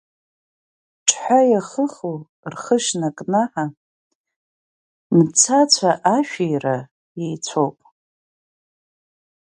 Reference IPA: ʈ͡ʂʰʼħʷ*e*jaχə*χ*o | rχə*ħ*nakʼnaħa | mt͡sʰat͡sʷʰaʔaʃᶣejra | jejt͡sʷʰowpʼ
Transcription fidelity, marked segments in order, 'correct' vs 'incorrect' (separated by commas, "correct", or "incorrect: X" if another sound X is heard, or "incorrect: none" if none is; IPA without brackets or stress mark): incorrect: a, correct, incorrect: ʃ